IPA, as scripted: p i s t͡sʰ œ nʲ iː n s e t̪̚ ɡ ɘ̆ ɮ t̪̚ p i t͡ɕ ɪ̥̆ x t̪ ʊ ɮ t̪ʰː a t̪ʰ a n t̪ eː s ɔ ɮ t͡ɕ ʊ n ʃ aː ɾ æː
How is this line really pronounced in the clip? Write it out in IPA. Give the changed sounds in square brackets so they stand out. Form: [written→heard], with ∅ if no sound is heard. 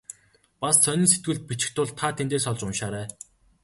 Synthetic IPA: p [i→a] s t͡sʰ œ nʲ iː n s e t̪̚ ɡ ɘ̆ ɮ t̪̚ p i t͡ɕ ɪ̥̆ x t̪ ʊ ɮ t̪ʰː a t̪ʰ [a→e] n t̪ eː s ɔ ɮ t͡ɕ ʊ n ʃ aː ɾ æː